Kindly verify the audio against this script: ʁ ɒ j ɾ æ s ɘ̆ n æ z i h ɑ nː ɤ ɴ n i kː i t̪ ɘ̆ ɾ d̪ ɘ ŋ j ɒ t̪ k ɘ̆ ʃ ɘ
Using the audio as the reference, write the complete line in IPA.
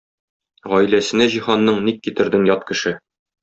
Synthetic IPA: ʁ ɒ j l æ s ɘ̆ n æ ʑ i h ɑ nː ɤ ɴ n i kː i t̪ ɘ̆ ɾ d̪ ɘ ŋ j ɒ t̪ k ɘ̆ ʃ ɘ